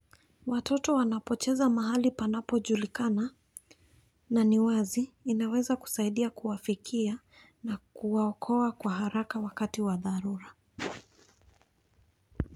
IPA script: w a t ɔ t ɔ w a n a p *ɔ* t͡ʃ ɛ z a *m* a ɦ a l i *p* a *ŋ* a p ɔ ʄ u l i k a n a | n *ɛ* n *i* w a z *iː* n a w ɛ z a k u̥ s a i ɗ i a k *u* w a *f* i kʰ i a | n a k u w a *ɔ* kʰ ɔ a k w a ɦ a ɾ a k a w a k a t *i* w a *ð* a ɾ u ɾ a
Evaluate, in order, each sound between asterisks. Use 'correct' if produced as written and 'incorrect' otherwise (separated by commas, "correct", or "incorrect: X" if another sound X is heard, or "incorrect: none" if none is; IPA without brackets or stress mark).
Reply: correct, correct, correct, incorrect: n, incorrect: a, correct, correct, correct, correct, correct, correct, correct